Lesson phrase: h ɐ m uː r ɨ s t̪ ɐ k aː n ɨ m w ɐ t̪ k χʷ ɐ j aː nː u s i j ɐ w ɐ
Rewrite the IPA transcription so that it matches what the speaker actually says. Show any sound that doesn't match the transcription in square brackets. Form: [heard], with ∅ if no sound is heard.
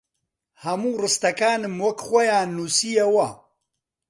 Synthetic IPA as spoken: h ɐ m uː r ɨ s t̪ ɐ k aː n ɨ m w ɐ [∅] k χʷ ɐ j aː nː u s i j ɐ w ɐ